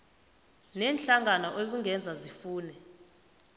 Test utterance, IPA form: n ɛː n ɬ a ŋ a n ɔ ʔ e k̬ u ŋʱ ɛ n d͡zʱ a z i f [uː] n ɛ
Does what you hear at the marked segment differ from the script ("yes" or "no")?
no